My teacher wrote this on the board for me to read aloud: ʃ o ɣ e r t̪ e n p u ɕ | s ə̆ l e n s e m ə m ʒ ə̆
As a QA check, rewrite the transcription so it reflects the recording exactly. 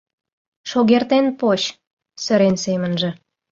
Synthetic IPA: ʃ o ɣ e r t̪ e n p o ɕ | s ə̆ ɾ e n s e m ə n ʒ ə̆